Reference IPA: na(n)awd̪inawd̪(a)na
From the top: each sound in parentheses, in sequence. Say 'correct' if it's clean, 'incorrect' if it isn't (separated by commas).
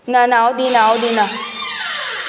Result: correct, incorrect